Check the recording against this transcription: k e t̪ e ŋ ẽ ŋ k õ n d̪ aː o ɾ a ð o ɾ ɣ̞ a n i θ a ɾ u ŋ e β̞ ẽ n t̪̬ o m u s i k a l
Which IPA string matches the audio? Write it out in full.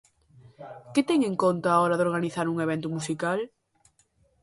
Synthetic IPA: k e t̪ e ŋ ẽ ŋ k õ n t̪ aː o ɾ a ð o ɾ ɣ̞ a n i θ a ɾ u ŋ e β̞ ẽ n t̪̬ u m u s i k a l